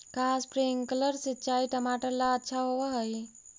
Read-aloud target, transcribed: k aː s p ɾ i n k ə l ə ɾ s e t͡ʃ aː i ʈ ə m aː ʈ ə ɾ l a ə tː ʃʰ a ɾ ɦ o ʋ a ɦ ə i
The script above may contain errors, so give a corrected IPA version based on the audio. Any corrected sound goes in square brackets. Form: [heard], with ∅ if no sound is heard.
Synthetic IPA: k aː s p ɾ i [ŋ] k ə l ə ɾ s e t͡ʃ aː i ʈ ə m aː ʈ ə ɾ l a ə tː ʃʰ a [∅] ɦ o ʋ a ɦ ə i